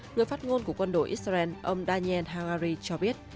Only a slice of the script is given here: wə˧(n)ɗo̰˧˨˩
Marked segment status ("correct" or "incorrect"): correct